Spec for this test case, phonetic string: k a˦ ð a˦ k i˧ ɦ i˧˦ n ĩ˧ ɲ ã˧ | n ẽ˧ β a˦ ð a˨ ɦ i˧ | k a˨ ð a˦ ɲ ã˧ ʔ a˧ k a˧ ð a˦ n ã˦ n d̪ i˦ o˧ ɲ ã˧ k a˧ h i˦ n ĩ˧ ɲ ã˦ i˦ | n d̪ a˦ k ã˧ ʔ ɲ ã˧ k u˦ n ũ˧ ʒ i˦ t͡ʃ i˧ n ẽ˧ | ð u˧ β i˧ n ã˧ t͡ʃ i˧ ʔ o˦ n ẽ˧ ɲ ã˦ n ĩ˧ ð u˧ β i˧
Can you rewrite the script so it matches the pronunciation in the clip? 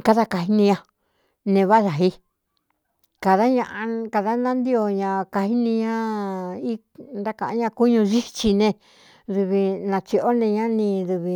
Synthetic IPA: k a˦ ð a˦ k a˧ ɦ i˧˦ n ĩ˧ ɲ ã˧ | n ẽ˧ β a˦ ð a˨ ɦ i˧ | k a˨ ð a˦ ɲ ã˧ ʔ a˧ k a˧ ð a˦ n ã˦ n d̪ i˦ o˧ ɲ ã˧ k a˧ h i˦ n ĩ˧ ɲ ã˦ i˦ | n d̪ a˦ k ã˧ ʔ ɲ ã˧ k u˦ ɲ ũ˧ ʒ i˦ t͡ʃ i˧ n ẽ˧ | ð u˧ β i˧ n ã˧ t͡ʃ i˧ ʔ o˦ n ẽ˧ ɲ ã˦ n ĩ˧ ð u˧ β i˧

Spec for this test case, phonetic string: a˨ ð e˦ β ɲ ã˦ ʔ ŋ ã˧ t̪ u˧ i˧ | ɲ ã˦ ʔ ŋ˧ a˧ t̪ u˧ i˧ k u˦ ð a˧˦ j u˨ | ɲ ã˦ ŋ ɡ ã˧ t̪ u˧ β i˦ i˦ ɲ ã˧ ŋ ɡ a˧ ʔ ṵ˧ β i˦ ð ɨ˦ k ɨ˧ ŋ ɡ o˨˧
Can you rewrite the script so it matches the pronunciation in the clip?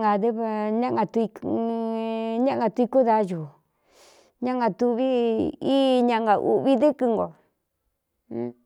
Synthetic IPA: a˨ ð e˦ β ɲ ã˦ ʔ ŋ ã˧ t̪ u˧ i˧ | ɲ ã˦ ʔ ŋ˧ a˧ t̪ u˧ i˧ k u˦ ð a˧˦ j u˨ | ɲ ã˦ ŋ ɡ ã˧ t̪ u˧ β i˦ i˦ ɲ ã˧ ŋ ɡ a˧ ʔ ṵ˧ β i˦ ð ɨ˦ k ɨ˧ ŋ ɡ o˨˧

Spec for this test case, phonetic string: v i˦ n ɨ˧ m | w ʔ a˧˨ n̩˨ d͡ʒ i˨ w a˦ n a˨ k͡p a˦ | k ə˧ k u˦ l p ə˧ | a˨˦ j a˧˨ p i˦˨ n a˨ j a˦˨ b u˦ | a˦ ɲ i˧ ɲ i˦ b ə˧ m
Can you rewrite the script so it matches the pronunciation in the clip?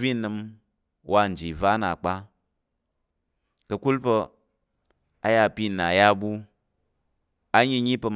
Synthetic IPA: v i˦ n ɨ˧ m | w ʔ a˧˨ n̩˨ d͡ʒ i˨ v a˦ n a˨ k͡p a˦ | k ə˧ k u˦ l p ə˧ | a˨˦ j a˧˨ p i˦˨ n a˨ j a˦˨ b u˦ | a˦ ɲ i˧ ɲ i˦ p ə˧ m

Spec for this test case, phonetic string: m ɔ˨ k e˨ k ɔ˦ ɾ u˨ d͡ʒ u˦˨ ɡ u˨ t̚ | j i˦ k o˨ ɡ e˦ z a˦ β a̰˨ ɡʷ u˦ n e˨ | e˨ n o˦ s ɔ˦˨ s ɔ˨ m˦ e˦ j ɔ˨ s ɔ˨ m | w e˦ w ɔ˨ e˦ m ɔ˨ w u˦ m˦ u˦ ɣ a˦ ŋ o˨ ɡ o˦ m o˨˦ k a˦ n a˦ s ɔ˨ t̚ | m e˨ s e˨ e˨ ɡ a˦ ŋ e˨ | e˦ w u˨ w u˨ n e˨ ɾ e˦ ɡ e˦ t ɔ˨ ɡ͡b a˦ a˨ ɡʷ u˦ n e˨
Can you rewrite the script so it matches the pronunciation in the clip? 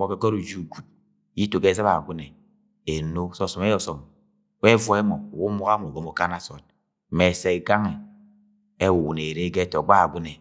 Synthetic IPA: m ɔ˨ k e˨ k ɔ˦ ɾ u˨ d͡ʒ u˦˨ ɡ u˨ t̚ | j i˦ t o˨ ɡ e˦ z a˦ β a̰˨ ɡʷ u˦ n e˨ | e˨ n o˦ s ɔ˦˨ s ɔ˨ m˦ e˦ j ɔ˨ s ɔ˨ m | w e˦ v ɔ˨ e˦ m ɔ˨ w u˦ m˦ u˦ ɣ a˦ m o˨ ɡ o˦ m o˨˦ k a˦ n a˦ s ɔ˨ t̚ | m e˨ s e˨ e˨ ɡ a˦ ŋ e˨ | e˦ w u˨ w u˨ n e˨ ɾ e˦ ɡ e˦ t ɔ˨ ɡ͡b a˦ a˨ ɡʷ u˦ n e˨

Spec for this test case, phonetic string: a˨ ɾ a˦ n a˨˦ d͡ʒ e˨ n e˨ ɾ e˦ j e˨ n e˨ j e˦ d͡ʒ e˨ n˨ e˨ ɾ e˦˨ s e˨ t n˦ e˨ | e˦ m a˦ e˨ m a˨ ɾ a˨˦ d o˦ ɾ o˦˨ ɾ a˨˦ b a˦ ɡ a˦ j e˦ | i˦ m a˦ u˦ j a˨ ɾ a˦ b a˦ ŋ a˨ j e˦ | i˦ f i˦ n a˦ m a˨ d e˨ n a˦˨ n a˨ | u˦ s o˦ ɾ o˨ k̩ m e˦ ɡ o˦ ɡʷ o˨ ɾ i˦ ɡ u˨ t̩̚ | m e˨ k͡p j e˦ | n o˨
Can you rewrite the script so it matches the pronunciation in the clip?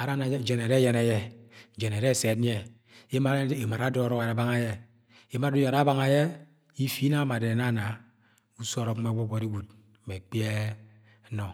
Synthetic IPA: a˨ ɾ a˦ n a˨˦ d͡ʒ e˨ n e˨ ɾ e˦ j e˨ n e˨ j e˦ d͡ʒ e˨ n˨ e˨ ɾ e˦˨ s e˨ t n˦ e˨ | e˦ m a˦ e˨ m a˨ ɾ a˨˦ d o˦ ɾ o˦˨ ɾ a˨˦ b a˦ ŋ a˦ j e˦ | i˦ m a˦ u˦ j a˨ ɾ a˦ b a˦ ŋ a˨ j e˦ | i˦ f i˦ n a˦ m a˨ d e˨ n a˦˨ n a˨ | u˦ s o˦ ɾ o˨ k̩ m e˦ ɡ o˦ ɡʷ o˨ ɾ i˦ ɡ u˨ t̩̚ | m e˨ k͡p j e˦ | n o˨

